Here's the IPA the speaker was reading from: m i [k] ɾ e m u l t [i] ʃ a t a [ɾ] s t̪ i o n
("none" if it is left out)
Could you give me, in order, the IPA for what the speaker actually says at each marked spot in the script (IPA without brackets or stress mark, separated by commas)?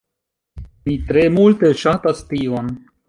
t, e, none